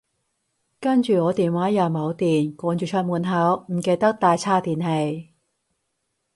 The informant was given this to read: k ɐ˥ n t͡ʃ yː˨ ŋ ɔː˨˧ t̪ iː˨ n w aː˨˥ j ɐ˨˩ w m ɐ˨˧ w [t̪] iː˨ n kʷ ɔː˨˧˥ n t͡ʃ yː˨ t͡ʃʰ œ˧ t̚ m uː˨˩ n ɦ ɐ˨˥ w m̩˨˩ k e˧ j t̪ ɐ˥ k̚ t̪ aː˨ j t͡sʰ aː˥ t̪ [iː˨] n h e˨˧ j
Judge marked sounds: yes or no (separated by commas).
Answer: yes, yes